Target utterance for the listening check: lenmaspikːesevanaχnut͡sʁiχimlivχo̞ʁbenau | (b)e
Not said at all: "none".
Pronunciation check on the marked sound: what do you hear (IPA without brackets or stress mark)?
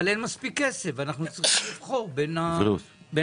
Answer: b